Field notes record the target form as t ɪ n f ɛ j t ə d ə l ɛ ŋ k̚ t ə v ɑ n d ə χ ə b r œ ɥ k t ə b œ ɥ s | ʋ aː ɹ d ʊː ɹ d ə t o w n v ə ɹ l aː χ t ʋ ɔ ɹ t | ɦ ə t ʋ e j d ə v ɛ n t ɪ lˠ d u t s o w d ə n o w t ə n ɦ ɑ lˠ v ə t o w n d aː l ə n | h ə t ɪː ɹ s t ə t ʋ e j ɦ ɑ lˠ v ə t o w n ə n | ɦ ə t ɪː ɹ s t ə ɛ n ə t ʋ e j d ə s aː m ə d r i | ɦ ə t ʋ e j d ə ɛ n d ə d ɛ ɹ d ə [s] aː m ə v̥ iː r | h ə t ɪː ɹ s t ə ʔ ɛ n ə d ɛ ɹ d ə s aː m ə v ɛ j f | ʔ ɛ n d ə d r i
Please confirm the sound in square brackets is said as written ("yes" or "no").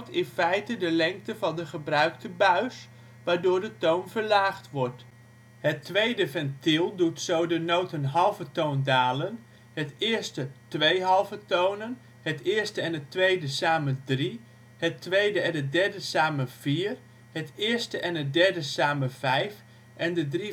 yes